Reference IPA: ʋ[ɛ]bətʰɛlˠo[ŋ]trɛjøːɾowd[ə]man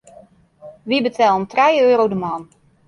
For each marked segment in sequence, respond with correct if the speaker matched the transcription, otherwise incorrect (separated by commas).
incorrect, incorrect, correct